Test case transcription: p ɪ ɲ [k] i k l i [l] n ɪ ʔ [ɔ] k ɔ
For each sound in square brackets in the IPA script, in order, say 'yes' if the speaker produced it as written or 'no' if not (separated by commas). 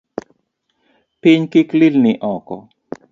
yes, yes, yes